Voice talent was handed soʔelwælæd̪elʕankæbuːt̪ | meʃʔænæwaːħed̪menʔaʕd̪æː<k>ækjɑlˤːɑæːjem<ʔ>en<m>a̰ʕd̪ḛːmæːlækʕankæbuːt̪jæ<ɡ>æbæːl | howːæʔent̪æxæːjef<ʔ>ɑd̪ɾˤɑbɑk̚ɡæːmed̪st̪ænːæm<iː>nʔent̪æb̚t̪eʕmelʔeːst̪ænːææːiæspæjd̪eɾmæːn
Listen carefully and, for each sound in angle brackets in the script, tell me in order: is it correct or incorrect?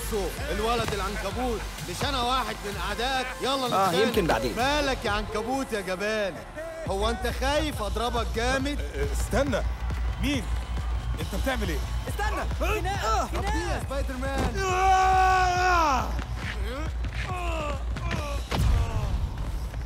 incorrect, incorrect, incorrect, correct, correct, correct

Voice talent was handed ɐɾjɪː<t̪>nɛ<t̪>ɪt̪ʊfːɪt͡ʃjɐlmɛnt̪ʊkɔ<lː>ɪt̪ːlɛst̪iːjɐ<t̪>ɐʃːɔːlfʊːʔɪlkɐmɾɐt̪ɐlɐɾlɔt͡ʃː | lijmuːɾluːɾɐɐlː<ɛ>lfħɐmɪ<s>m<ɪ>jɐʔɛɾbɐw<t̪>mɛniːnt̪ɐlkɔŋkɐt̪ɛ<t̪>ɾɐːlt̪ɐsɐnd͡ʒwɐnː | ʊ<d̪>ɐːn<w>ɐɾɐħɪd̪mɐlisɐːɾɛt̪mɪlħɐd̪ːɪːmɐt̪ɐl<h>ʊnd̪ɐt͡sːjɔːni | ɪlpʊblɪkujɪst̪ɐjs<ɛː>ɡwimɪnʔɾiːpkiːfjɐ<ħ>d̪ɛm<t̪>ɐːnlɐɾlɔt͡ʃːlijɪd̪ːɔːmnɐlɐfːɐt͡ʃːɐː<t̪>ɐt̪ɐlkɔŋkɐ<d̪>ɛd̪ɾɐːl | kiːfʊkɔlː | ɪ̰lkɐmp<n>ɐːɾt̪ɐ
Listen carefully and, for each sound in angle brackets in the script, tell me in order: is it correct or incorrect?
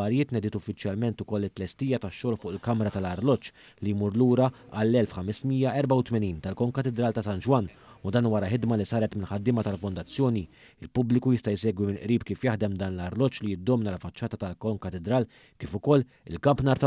correct, incorrect, correct, correct, correct, correct, incorrect, correct, incorrect, correct, correct, incorrect, correct, correct, incorrect, correct, incorrect, correct

